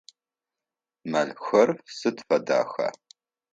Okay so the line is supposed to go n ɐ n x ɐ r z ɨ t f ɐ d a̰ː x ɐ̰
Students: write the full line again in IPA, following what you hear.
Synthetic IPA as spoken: m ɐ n x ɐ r s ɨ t f ɐ d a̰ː x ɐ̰